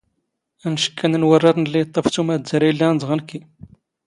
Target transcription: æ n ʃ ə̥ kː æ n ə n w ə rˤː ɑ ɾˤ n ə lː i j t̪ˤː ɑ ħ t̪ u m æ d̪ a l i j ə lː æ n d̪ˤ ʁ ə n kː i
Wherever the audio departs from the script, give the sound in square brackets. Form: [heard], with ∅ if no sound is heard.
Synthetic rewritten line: æ n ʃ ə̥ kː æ n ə n w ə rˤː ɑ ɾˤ n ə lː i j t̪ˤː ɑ [f] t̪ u m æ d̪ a [ɾ] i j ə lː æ n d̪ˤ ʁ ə n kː i